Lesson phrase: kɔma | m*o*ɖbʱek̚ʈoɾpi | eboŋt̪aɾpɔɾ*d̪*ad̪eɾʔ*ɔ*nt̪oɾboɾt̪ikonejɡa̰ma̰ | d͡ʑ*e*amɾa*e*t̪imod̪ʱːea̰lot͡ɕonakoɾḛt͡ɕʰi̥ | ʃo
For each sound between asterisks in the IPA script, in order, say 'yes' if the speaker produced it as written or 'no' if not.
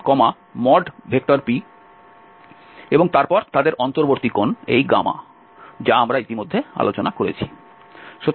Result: no, no, yes, no, no

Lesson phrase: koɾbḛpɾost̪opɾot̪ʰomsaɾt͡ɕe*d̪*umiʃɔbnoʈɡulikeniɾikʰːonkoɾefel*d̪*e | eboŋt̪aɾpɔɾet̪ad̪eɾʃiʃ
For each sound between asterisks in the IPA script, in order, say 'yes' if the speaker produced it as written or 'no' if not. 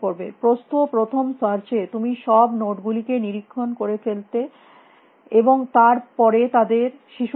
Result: no, no

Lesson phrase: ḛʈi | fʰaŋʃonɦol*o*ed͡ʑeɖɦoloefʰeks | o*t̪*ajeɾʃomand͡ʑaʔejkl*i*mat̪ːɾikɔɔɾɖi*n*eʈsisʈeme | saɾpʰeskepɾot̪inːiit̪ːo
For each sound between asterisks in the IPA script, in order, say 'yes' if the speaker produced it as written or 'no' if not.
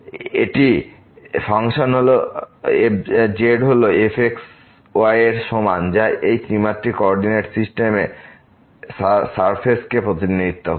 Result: yes, no, yes, yes

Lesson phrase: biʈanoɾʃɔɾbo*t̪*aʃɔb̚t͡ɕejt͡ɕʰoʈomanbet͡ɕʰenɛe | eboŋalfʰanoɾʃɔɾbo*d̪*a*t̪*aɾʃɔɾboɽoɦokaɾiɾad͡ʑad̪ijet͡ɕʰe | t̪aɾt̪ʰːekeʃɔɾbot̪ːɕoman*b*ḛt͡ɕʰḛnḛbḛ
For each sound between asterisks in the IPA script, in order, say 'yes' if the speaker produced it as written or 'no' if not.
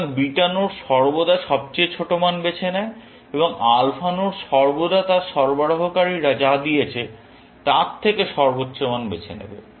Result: no, yes, yes, yes

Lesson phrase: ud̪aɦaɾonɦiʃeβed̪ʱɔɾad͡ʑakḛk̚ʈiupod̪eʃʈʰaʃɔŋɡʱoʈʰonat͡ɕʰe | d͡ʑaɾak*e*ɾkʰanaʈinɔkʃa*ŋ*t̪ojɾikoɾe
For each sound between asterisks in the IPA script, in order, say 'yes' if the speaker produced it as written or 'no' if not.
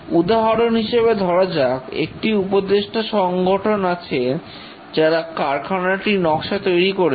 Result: no, no

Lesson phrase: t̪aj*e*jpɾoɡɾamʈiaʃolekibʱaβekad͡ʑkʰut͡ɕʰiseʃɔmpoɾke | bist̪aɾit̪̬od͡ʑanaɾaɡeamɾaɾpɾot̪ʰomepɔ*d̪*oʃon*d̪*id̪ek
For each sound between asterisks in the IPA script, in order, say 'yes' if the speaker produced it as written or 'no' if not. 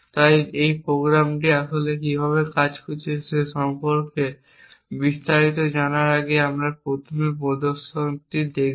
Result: yes, yes, no

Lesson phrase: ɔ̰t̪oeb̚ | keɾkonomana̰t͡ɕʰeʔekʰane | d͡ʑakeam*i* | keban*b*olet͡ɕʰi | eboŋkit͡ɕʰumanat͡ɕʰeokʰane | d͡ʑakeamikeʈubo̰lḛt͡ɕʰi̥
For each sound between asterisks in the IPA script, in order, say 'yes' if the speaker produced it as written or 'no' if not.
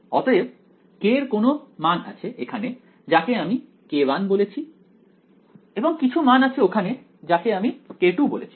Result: yes, yes

